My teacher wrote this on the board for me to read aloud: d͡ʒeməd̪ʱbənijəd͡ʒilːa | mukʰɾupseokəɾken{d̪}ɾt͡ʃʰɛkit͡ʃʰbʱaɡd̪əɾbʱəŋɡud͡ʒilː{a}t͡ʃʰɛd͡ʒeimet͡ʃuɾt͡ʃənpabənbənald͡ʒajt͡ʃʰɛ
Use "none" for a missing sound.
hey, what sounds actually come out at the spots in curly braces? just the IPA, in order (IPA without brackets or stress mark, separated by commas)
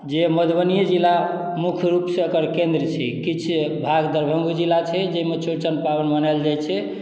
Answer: d̪, a